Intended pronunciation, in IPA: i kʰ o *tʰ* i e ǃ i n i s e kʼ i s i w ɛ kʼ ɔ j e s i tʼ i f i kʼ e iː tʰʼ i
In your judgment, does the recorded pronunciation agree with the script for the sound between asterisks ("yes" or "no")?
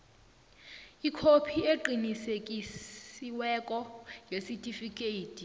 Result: no